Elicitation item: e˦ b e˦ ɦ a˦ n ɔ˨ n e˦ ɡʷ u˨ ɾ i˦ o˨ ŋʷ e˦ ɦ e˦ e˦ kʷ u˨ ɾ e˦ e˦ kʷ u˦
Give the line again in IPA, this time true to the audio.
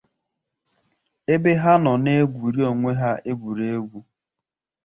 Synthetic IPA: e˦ b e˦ ɦ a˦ n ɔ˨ n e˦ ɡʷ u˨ ɾ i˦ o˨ ŋʷ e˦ ɦ a˦ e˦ ɡʷ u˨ ɾ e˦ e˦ ɡʷ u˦